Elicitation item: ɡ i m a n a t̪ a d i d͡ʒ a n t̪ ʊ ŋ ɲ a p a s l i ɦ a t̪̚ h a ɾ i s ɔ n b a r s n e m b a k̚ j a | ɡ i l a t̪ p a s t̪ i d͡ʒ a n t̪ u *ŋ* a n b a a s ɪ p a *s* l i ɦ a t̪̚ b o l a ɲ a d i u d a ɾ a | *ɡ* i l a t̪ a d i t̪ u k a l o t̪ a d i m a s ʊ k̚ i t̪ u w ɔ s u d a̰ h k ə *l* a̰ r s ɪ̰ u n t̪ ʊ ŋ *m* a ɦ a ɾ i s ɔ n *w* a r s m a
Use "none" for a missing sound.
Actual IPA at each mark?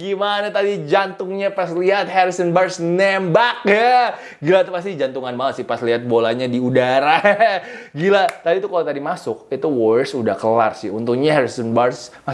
ŋ, s, ɡ, l, ɲ, b

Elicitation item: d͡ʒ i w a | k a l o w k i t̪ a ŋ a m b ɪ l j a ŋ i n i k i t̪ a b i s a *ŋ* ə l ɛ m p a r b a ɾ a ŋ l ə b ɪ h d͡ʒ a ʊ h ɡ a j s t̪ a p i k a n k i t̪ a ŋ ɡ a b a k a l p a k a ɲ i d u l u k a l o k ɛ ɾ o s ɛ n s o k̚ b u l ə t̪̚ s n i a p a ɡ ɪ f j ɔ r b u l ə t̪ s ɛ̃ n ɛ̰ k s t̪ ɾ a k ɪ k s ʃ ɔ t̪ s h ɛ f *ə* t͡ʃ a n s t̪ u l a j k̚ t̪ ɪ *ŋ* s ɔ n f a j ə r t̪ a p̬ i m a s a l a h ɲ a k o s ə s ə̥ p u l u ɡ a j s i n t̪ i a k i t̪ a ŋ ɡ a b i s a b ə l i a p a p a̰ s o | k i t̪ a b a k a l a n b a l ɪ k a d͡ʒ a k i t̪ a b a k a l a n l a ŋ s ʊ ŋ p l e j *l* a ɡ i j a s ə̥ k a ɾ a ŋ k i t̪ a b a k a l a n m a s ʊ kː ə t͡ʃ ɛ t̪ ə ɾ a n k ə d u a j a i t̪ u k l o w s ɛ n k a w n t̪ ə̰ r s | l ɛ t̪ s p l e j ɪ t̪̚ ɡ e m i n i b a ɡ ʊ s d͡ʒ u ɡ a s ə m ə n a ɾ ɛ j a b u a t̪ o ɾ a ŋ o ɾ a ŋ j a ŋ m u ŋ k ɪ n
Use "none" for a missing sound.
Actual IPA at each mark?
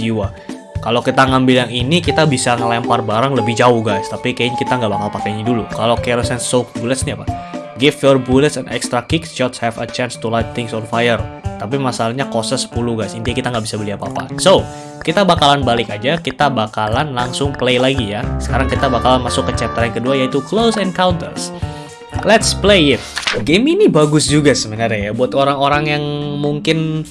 ŋ, ə, ŋ, l

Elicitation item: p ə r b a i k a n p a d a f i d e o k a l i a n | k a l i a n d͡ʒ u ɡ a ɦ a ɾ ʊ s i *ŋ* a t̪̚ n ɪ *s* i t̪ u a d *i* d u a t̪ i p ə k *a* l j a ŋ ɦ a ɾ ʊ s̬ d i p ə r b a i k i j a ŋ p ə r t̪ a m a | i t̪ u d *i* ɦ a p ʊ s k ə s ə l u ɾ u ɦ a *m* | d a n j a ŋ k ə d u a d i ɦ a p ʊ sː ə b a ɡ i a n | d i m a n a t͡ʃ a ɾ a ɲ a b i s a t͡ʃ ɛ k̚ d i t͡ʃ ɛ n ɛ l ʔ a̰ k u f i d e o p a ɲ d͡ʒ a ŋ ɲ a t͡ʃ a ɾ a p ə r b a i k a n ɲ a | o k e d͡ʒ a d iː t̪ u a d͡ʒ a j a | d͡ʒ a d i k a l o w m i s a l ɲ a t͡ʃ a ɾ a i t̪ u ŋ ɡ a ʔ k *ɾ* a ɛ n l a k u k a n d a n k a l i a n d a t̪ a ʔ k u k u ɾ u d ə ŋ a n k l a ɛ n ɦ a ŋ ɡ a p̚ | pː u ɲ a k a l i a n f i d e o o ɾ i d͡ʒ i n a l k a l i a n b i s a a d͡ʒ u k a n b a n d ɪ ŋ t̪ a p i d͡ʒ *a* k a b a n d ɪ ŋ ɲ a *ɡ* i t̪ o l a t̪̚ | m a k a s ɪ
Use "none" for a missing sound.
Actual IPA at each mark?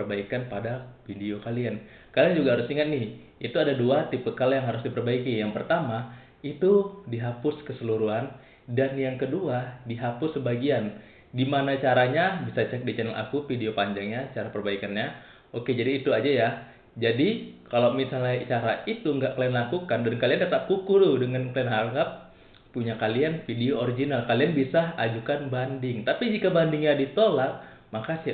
ŋ, h, a, a, i, n, l, i, d

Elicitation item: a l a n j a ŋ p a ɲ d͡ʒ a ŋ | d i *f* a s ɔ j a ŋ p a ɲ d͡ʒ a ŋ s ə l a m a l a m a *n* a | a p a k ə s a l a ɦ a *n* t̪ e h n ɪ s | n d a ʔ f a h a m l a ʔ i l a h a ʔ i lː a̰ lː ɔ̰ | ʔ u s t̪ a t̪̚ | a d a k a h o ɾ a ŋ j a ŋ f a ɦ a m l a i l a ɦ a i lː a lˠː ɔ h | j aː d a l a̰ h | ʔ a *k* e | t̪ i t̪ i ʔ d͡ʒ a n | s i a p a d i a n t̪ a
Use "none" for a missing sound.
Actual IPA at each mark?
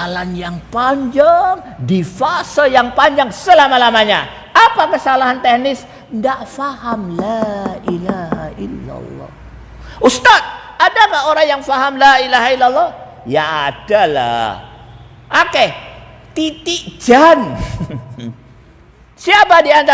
f, ɲ, n, k

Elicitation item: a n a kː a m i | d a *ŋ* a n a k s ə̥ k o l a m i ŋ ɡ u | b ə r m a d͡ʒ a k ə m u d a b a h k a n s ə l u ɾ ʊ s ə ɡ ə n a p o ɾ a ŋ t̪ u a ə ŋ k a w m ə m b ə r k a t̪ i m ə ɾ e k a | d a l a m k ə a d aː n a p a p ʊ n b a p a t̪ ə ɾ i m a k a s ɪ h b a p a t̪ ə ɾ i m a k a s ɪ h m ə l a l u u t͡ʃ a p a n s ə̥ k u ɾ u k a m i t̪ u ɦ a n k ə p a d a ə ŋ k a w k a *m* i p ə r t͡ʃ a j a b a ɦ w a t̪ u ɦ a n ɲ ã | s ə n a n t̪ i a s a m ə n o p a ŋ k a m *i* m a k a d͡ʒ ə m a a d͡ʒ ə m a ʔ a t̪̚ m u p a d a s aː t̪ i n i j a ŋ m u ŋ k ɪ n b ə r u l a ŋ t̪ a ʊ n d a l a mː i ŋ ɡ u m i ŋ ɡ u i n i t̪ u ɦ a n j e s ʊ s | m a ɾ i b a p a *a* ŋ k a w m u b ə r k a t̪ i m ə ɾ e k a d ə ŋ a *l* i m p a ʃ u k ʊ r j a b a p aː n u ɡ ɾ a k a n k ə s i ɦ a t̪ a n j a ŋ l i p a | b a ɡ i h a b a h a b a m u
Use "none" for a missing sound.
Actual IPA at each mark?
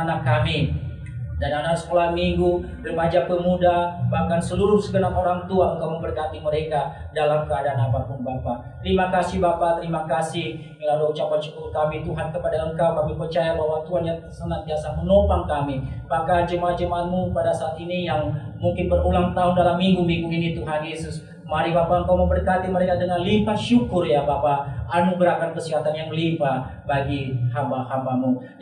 n, m, i, ə, l

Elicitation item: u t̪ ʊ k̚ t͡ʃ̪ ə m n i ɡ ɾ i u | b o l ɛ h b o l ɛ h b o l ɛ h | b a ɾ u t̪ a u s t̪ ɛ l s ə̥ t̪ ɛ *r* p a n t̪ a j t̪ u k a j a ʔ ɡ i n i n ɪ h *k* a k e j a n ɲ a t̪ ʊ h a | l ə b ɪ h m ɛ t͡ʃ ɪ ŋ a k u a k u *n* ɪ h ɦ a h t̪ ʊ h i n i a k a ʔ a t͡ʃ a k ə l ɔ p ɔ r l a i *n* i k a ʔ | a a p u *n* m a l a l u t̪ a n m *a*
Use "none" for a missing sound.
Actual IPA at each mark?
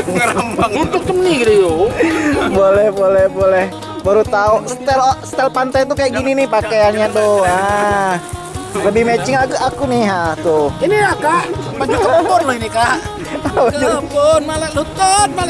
l, p, n, n, n, a

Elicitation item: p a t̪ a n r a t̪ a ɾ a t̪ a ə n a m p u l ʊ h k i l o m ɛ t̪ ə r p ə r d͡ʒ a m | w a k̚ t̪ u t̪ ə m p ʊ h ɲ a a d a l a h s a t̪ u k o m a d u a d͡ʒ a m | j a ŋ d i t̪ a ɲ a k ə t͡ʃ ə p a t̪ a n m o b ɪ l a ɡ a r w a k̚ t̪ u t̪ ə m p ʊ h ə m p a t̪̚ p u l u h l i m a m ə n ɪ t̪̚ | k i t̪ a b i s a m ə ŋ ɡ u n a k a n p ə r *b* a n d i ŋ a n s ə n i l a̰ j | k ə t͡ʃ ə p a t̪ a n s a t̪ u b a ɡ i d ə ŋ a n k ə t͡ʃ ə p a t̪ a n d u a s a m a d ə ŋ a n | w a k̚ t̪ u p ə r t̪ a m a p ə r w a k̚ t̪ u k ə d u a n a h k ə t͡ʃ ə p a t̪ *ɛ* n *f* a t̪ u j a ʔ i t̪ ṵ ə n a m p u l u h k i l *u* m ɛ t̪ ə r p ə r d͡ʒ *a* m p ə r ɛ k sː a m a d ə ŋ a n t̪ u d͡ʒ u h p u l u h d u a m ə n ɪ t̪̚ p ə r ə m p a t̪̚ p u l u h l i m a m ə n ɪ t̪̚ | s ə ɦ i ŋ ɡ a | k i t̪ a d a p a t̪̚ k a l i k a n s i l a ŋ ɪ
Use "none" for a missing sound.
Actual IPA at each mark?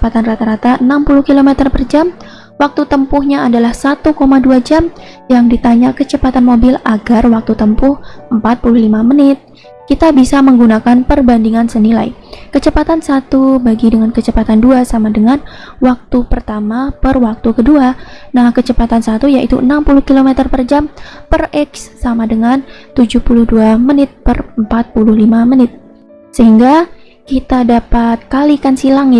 b, a, s, o, a

